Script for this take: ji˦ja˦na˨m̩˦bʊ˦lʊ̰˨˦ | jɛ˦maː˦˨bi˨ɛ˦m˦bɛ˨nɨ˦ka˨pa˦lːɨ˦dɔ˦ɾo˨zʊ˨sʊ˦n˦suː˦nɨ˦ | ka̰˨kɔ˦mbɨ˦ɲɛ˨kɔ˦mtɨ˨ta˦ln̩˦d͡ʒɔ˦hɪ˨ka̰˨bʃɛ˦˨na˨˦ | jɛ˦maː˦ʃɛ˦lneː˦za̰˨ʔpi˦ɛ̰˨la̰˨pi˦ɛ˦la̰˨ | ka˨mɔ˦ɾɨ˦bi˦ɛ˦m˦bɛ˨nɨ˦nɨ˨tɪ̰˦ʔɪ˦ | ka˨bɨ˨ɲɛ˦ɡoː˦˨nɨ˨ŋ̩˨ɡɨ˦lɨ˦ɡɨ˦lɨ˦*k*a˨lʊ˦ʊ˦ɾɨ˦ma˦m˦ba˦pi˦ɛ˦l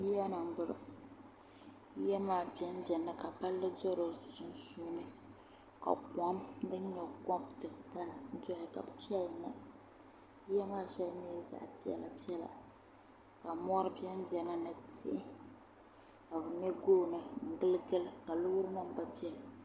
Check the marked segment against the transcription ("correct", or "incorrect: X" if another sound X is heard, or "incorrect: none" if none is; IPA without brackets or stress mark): correct